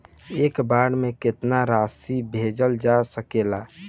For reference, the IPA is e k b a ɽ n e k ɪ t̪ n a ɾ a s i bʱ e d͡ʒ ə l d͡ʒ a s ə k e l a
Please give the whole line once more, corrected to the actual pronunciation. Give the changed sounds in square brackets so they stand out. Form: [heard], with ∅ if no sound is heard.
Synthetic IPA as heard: e k b a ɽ [m] e k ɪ t̪ n a ɾ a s i bʱ e d͡ʒ ə l d͡ʒ a s ə k e l a